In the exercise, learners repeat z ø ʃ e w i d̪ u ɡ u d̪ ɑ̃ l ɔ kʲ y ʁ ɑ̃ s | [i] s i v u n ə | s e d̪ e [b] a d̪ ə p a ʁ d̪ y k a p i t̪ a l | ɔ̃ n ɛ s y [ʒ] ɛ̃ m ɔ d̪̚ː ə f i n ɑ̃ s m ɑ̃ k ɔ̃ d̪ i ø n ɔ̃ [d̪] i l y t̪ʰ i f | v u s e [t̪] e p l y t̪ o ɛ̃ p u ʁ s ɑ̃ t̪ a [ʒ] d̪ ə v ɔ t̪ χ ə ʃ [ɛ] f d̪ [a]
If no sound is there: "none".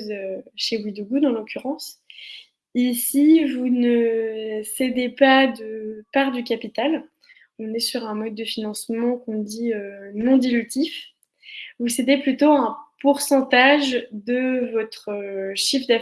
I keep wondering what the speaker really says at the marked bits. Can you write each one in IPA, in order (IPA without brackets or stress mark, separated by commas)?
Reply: i, p, ʁ, d̪, d̪, ʒ, i, a